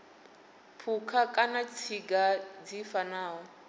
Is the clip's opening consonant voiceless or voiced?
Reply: voiceless